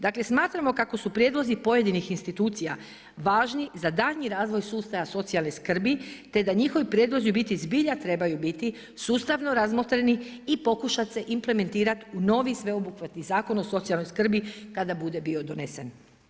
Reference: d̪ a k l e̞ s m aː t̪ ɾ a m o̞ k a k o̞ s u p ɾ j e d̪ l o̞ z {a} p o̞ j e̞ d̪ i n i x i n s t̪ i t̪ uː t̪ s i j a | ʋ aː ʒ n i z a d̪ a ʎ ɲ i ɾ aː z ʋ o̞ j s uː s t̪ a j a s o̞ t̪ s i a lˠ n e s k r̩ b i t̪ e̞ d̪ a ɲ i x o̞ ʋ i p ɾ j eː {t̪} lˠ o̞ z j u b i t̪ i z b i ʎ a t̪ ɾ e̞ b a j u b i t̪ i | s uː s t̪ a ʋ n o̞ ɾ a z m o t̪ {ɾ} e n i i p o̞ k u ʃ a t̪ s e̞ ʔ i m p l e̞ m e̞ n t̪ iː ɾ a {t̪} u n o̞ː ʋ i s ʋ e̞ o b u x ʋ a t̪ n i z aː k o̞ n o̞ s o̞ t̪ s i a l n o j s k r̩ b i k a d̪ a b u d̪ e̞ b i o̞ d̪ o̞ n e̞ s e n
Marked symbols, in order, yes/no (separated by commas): no, no, yes, yes